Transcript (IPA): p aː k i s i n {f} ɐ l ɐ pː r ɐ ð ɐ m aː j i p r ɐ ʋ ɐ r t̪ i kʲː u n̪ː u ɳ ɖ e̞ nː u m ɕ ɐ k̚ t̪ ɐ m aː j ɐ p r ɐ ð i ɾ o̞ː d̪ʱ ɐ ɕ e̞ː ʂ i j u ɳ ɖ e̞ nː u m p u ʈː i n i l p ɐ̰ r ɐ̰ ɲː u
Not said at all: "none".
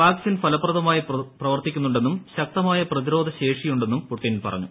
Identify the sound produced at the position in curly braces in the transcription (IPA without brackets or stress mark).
f